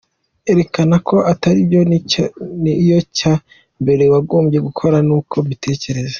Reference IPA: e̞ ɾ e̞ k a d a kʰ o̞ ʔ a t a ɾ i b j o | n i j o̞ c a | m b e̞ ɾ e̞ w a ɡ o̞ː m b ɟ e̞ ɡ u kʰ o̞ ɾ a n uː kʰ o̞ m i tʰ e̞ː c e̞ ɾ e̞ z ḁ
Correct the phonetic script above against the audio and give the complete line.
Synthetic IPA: e̞ ɾ e̞ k a n a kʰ o̞ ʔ a t a ɾ i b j o | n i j o̞ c a | m b e̞ ɾ e̞ w a ɡ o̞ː m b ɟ e̞ ɡ u kʰ o̞ ɾ a n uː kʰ o̞ m i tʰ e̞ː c e̞ ɾ e̞ z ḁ